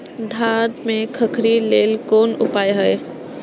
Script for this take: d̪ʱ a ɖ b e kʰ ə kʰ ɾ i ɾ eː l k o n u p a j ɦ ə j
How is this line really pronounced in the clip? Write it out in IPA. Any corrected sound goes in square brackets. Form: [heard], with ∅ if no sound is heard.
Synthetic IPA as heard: d̪ʱ a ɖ [m] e kʰ ə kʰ ɾ i [l] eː l k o n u p a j ɦ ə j